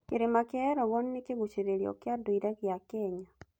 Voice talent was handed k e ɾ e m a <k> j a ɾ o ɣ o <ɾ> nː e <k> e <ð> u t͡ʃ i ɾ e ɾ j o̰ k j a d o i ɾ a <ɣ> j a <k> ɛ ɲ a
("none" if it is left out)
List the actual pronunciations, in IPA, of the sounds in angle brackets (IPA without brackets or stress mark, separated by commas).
k, none, k, ɣ, ɣ, k